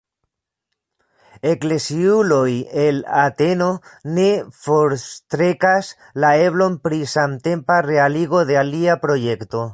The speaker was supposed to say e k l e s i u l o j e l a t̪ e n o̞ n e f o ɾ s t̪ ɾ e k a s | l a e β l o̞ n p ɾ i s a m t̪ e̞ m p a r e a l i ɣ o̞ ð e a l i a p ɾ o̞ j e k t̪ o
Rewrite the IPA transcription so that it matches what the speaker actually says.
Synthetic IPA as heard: e k l e s i u l o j e l a t̪ e n o̞ n e f o ɾ s t̪ ɾ e k a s | l a e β l o̞ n p ɾ i s a m t̪ e̞ m p a r e a l i ɣ o̞ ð e a l i a p ɾ o̞ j e k t̪ o